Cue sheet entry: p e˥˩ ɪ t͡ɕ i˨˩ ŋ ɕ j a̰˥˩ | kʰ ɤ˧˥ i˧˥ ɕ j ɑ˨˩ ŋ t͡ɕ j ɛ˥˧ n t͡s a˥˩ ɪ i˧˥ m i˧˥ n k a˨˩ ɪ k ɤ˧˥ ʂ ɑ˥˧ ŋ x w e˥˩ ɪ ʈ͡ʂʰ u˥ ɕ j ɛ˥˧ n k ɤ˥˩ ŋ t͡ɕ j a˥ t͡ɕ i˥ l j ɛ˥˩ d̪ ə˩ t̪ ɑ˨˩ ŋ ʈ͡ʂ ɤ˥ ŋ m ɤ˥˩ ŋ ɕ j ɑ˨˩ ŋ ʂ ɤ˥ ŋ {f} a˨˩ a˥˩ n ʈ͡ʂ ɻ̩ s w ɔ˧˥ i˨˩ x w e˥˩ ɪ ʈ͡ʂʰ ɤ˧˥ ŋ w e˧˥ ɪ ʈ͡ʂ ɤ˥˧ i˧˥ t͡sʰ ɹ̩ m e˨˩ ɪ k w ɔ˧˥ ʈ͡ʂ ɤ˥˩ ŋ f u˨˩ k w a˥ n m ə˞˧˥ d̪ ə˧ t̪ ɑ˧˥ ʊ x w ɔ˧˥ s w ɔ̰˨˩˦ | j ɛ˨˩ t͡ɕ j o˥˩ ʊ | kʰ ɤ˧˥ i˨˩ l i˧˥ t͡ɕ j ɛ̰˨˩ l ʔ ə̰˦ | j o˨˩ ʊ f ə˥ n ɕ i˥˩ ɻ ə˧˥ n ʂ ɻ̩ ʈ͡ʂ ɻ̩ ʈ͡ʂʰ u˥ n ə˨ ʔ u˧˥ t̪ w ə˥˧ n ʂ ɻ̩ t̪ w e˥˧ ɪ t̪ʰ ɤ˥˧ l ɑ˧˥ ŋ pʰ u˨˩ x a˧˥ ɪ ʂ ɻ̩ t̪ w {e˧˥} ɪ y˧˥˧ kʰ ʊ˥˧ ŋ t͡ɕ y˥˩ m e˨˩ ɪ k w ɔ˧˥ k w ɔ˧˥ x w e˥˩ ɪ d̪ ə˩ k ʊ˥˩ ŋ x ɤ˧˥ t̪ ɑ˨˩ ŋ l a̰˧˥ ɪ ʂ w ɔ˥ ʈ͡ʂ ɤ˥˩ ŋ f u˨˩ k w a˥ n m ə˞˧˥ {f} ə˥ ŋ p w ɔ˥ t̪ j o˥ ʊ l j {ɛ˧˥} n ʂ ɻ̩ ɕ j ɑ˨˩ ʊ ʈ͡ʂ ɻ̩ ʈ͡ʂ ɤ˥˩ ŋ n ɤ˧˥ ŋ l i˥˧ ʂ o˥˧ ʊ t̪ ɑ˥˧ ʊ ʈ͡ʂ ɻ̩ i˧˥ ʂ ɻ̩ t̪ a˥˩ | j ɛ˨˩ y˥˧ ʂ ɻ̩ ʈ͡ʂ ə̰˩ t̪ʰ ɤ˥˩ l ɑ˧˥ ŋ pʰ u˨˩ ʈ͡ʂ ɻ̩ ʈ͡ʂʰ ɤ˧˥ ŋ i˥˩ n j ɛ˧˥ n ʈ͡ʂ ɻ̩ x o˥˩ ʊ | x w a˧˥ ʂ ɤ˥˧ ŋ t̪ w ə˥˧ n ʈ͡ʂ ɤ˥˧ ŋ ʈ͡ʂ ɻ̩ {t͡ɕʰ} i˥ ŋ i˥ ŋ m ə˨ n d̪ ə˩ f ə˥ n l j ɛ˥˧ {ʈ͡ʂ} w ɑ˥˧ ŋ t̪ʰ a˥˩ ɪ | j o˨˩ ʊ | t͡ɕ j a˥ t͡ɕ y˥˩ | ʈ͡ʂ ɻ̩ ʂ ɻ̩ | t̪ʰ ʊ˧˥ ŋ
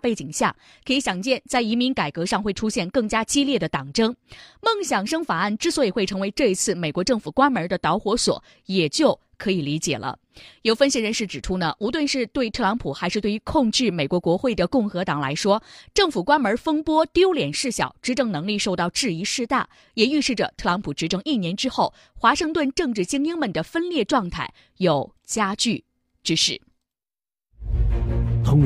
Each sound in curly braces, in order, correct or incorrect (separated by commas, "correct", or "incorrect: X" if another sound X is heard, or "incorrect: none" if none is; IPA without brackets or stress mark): correct, incorrect: e˥˩, correct, incorrect: ɛ˨˩, incorrect: t͡ɕ, correct